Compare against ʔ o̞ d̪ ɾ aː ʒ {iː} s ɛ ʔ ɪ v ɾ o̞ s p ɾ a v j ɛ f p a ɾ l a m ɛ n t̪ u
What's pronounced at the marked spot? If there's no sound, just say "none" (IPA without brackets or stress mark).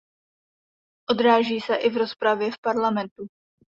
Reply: iː